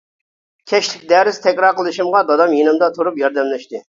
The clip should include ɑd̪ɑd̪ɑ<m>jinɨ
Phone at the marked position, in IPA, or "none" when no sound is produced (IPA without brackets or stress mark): m